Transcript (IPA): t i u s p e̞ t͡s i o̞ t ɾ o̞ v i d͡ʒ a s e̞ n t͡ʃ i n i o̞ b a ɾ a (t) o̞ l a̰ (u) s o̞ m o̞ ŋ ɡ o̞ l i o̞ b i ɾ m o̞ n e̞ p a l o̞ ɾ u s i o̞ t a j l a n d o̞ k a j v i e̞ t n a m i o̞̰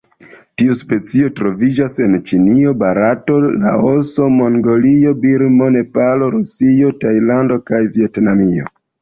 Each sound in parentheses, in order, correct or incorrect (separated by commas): correct, incorrect